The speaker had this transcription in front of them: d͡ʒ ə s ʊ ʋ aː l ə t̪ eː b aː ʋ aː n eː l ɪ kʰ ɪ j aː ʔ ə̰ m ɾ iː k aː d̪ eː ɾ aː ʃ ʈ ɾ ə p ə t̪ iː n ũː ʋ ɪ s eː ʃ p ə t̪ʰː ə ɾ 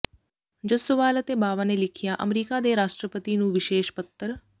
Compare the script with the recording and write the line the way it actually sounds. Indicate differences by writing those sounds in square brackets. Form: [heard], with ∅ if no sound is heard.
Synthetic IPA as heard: d͡ʒ ə s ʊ ʋ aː l ə t̪ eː b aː ʋ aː n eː l ɪ kʰ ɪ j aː ʔ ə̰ m ɾ iː k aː d̪ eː ɾ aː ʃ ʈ ɾ ə p ə t̪ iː n ũː ʋ ɪ [ʃ] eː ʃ p ə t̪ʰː ə ɾ